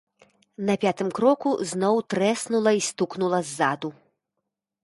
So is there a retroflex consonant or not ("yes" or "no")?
no